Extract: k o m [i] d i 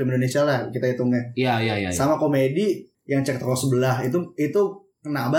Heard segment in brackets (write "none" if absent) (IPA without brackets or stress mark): e